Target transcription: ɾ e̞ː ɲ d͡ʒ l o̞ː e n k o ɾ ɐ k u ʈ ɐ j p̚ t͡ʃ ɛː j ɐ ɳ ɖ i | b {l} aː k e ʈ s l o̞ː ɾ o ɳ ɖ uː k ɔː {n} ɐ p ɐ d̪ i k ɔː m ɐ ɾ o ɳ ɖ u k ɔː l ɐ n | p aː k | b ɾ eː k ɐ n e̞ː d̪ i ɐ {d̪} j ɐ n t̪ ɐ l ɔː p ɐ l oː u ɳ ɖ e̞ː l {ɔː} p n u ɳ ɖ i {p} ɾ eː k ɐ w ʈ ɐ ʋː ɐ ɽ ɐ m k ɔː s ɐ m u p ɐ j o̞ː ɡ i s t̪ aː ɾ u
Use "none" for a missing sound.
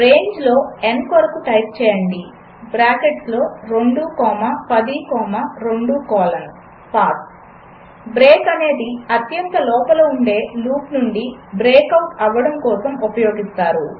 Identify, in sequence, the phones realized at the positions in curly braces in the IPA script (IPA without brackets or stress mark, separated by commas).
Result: ɾ, m, t̪, uː, b